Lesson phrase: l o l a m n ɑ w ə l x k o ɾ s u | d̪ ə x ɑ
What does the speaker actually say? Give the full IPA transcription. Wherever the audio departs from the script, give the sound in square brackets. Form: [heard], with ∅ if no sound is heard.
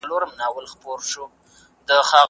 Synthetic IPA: l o [ɾ] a m n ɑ w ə l x [p] o ɾ [ʃ] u | d̪ ə x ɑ